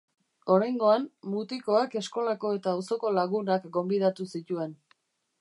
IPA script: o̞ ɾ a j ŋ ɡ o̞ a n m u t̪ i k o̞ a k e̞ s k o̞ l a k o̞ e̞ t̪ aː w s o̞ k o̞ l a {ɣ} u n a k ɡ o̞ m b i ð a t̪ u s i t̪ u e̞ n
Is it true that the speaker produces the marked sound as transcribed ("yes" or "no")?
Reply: yes